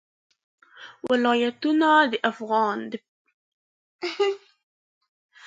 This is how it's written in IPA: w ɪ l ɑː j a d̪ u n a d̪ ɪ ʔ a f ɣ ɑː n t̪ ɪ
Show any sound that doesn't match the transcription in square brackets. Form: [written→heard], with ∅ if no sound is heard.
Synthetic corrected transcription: w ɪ l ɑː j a [d̪→t̪] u n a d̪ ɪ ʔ a f ɣ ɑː n [t̪→d̪] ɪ